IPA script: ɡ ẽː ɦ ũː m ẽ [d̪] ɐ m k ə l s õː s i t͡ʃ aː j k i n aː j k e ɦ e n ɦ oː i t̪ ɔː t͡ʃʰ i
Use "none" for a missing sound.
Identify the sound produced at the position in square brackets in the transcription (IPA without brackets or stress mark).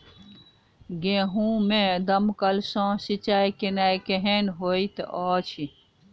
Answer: d̪